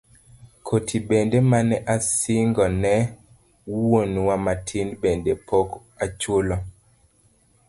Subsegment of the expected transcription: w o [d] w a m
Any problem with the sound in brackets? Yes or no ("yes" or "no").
yes